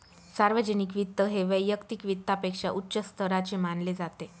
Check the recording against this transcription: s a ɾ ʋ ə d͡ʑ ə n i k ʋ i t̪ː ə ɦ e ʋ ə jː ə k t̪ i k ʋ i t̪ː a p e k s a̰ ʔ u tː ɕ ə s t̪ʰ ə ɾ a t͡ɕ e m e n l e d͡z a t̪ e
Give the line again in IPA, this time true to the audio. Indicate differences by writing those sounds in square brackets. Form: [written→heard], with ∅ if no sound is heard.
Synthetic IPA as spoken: s a ɾ ʋ ə d͡ʑ ə n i k ʋ i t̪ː ə ɦ e ʋ ə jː ə k t̪ i k ʋ i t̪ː a p e k [s→ʂ] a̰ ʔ u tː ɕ ə s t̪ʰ ə ɾ a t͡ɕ e m [e→a] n l e d͡z a t̪ e